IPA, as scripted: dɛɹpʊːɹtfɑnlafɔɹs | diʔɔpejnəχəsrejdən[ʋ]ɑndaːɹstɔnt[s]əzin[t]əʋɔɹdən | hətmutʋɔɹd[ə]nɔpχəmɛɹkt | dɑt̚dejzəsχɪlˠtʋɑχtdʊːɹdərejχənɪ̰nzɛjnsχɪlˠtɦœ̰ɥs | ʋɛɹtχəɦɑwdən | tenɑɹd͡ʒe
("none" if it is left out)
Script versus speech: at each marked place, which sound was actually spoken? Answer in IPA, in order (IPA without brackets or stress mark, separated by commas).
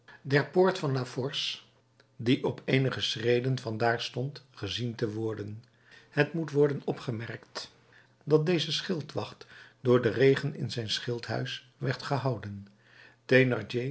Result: v, χ, t, ə